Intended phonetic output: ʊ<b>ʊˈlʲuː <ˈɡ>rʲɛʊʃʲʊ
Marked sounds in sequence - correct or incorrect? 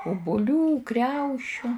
correct, incorrect

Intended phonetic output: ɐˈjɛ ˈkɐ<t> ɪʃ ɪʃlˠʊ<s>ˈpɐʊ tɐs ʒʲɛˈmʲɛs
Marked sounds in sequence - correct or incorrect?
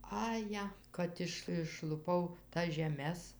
correct, incorrect

